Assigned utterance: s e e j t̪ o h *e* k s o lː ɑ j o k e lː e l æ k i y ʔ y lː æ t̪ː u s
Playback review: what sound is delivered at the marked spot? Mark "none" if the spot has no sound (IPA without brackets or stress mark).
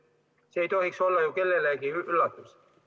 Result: i